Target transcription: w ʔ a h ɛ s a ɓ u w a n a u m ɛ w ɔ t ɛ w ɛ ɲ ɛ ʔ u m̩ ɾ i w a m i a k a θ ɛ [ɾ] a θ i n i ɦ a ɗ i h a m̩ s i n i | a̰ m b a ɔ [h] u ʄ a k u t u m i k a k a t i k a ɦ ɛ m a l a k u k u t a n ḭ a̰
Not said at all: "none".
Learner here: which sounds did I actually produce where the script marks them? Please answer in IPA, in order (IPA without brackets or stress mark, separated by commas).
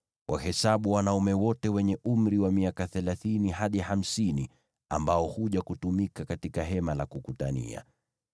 l, h